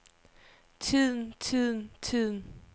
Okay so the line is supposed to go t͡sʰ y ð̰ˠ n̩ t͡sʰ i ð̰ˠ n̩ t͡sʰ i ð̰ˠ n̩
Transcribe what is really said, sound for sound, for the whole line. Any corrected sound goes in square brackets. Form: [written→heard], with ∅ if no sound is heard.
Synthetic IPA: t͡sʰ [y→i] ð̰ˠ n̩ t͡sʰ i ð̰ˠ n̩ t͡sʰ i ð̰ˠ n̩